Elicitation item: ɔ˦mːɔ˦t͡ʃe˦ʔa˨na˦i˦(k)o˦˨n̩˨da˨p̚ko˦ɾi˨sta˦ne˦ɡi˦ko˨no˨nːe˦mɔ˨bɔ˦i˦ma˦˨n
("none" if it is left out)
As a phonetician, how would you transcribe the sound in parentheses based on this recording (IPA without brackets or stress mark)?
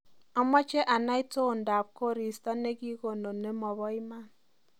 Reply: t